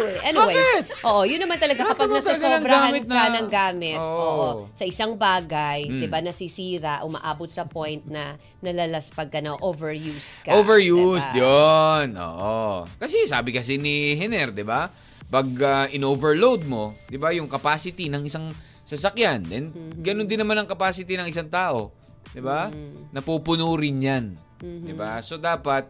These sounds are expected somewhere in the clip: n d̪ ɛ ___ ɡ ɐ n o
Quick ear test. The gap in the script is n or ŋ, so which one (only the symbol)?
n